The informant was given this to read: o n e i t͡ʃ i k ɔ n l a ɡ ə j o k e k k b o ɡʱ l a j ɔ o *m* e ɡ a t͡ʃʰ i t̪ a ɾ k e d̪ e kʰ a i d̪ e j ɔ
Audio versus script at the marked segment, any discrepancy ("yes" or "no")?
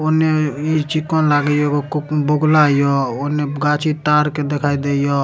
yes